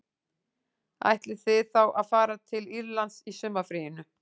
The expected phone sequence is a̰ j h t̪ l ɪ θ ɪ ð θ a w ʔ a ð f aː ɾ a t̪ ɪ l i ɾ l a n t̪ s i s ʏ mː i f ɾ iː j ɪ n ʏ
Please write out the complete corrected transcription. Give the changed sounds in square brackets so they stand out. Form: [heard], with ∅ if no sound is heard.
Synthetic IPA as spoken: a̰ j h t̪ l ɪ θ ɪ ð θ a w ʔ a ð f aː ɾ a [t̪ʰ] ɪ l i ɾ l a n t̪ s i s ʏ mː [a] f ɾ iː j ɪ n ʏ